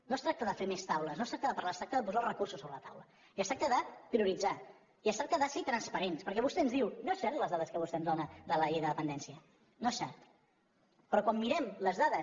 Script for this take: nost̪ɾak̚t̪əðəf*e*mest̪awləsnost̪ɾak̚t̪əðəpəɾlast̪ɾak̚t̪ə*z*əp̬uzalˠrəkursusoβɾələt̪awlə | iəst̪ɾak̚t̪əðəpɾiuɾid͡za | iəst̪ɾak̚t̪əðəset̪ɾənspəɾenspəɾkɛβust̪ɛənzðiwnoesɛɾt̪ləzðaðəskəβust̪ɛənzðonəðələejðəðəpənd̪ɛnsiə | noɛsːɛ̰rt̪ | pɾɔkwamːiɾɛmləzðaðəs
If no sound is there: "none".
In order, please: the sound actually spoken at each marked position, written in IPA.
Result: e, ð

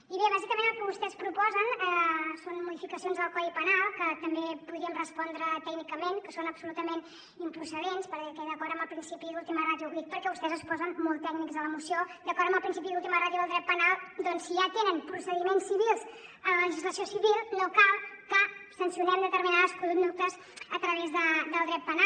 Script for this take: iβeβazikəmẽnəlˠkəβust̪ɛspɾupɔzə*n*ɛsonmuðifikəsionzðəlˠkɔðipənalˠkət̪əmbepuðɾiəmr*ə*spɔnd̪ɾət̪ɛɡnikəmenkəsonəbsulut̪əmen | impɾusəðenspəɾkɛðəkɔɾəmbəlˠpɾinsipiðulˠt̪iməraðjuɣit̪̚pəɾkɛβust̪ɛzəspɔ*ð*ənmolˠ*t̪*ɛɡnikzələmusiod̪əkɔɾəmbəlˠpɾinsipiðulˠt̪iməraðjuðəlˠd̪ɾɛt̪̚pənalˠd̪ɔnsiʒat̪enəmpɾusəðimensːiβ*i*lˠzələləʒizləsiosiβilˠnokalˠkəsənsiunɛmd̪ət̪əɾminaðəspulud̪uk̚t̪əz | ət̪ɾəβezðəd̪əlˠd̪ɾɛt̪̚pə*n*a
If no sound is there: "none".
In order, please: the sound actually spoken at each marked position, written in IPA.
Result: n, ə, z, t̪, i, n

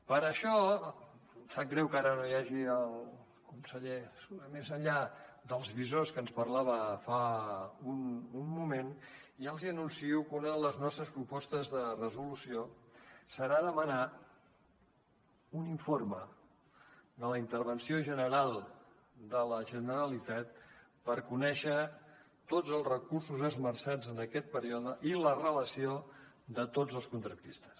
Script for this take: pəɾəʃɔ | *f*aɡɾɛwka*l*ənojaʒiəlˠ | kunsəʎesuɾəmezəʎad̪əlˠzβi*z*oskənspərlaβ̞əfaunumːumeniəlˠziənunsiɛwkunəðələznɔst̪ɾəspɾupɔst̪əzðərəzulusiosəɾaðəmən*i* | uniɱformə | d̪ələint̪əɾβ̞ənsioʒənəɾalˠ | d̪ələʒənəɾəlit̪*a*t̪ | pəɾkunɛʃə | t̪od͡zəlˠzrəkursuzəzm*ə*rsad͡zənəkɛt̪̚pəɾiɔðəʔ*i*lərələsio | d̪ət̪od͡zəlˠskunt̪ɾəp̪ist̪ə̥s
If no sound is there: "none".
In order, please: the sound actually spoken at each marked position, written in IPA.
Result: s, ɾ, z, a, a, ə, i

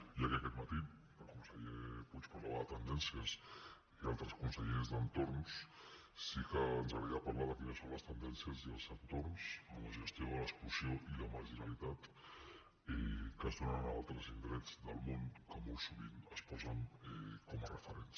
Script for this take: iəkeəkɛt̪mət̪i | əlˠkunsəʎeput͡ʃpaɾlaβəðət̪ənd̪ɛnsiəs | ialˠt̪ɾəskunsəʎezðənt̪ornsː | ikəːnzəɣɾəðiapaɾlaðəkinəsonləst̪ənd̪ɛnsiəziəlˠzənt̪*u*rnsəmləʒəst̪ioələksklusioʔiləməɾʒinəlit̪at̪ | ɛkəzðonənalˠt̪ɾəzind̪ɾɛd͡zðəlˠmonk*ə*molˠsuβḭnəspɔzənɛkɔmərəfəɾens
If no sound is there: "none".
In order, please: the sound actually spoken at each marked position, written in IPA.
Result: o, ə

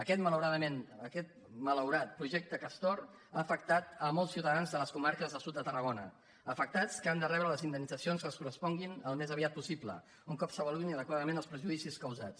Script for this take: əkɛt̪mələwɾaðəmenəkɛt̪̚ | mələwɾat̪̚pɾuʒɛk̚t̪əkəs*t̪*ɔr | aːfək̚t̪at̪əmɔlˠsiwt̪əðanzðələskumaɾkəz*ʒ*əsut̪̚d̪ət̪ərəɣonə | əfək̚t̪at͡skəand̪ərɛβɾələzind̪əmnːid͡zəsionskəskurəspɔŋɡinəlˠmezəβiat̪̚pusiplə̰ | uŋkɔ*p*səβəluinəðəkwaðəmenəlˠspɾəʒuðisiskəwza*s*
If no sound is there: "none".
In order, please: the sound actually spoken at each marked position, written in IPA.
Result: t̪, ð, p, t͡s

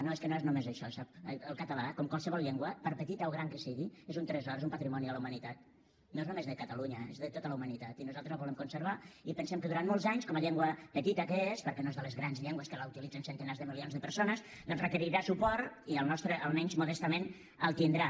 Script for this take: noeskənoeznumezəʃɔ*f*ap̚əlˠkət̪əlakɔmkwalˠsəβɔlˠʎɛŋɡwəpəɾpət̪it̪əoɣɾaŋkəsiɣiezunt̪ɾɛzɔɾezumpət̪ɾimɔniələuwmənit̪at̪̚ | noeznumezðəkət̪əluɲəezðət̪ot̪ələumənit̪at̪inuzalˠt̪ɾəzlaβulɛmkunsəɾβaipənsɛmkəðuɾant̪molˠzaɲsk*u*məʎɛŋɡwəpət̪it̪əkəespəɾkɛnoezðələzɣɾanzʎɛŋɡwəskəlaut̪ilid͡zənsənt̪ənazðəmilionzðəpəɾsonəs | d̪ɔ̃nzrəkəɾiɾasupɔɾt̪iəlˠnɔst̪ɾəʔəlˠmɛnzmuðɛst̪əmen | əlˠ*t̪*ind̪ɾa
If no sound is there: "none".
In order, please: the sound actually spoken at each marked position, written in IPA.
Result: s, ɔ, t̪

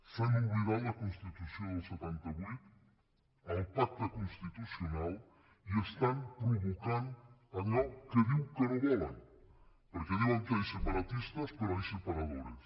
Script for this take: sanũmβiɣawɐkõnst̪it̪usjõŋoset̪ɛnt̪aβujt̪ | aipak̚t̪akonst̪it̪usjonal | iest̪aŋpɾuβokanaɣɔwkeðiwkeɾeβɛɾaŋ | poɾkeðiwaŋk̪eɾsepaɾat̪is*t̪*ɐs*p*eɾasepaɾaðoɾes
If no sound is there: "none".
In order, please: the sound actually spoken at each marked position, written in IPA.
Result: t̪, p

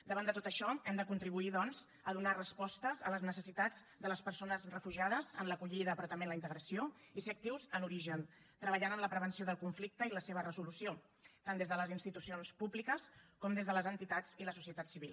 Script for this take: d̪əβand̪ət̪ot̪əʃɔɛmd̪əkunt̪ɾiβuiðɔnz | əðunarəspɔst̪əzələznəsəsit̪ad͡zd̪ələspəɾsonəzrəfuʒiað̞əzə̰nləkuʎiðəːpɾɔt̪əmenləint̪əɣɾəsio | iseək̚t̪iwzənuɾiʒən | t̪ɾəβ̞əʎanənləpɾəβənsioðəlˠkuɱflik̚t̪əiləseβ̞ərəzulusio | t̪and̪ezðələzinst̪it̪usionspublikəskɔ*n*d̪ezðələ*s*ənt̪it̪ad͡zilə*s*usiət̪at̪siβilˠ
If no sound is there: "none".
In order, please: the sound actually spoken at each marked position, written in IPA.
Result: m, z, s

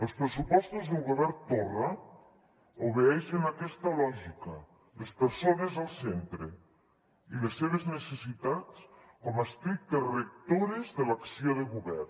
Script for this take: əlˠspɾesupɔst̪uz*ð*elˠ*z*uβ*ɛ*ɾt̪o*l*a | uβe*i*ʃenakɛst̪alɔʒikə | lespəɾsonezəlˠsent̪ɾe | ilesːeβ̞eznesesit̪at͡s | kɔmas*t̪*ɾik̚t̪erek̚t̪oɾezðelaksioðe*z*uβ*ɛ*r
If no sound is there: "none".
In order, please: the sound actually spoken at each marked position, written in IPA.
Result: ð, ɣ, ɛ, r, ɛ, t̪, ɣ, ɛ

